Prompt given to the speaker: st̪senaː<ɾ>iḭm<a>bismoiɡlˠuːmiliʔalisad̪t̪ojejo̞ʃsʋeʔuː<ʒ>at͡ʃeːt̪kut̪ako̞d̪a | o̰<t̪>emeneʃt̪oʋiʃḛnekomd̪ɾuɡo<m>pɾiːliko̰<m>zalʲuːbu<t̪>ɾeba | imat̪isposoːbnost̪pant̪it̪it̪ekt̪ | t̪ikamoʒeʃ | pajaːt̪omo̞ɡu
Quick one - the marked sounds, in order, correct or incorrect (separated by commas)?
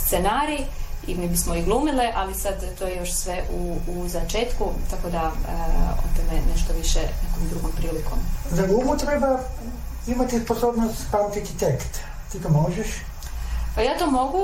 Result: correct, incorrect, incorrect, correct, correct, correct, correct